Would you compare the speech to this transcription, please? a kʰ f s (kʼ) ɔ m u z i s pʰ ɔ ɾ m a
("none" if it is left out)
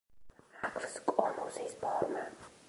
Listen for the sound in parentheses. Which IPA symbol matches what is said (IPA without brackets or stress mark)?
kʼ